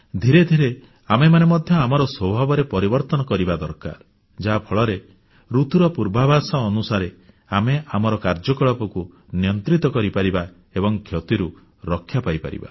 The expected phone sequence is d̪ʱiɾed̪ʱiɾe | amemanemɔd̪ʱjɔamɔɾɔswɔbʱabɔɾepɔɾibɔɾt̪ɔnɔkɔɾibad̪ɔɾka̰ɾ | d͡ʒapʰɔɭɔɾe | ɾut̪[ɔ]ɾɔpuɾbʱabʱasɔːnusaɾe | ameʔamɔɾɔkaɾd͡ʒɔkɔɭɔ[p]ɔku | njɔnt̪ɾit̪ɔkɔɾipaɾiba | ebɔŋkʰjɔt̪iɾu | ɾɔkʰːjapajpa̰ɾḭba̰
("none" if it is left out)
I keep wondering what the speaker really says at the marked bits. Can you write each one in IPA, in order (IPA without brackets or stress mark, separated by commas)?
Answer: u, p